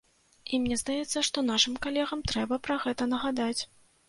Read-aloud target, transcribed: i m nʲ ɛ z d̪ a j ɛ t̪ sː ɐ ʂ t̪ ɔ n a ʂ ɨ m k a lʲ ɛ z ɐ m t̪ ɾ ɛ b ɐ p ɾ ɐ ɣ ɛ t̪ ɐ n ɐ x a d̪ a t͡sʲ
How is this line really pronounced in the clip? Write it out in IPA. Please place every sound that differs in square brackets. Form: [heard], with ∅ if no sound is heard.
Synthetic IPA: i m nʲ ɛ z d̪ a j ɛ t̪ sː ɐ ʂ t̪ ɔ n a ʂ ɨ m k a lʲ ɛ [ɣ] ɐ m t̪ ɾ ɛ b ɐ p ɾ ɐ ɣ ɛ t̪ ɐ n ɐ [ɣ] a d̪ a t͡sʲ